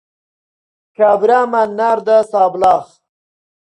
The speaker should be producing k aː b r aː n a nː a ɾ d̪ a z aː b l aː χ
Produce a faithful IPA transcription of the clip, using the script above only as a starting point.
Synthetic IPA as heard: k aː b ɾ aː m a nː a ɾ d̪ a s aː b l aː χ